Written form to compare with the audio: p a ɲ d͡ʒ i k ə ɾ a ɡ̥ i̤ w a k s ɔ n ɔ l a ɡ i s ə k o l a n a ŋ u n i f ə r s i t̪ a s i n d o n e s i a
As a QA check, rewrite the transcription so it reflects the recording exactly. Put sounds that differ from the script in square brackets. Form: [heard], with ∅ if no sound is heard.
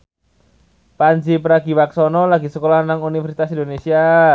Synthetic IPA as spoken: p a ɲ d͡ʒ i [p] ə ɾ a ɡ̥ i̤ w a k s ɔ n ɔ l a ɡ i s ə k o l a n a ŋ u n i f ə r s i t̪ a s i n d o n e s i a